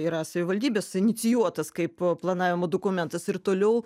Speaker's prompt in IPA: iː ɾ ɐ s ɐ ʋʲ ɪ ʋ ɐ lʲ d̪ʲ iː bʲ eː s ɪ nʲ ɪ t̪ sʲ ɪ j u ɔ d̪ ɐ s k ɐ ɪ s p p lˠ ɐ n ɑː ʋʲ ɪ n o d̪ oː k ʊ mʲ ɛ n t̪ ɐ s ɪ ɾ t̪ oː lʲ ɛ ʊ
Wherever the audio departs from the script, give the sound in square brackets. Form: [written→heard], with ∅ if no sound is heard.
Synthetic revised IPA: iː ɾ ɐ s ɐ ʋʲ ɪ ʋ ɐ lʲ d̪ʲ iː bʲ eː s ɪ nʲ ɪ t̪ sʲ ɪ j u ɔ [d̪→t̪] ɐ s k ɐ ɪ [s→∅] p p lˠ ɐ n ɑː ʋʲ ɪ [n→m] o d̪ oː k ʊ mʲ ɛ n t̪ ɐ s ɪ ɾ t̪ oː lʲ ɛ ʊ